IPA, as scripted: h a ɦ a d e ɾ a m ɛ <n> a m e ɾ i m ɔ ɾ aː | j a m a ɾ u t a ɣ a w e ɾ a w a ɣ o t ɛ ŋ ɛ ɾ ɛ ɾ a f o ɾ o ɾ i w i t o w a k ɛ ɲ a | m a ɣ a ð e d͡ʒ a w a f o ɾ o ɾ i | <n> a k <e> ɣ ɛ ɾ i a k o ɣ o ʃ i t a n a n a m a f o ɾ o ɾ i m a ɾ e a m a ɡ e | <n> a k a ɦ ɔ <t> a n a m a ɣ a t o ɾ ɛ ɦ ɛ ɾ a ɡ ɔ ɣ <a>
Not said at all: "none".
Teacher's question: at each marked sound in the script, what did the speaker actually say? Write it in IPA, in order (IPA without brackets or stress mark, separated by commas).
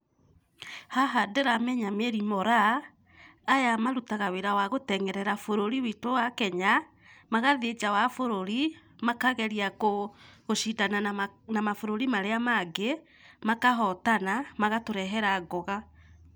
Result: ɲ, m, a, m, t, a